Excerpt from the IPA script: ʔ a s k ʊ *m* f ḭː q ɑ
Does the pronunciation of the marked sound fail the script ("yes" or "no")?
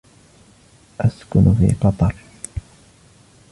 yes